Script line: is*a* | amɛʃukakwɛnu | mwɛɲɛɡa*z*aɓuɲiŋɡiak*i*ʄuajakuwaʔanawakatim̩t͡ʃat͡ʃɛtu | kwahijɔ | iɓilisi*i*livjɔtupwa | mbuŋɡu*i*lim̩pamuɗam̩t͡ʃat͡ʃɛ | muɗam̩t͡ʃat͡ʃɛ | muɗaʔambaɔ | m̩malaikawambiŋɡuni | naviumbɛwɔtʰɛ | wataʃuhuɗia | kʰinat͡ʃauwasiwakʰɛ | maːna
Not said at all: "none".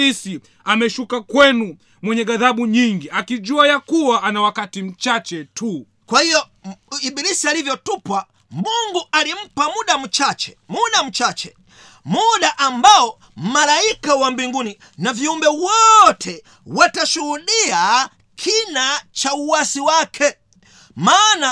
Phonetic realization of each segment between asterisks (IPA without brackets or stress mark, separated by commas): i, ð, i, a, a